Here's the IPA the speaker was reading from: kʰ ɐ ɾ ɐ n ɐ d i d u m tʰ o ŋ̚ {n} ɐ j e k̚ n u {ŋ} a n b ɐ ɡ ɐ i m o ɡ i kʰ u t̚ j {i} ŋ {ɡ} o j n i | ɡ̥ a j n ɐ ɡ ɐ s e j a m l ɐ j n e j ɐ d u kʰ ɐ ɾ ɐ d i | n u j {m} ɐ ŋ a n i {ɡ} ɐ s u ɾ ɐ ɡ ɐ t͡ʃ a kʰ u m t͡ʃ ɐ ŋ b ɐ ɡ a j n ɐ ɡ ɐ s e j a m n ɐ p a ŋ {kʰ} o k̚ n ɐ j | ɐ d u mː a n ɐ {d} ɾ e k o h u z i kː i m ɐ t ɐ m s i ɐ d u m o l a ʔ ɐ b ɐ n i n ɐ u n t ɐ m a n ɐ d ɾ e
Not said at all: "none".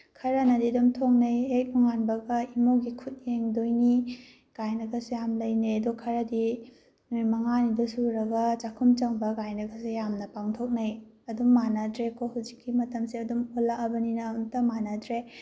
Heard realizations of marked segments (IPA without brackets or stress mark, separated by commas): n, ŋ, e, d, m, d, tʰ, d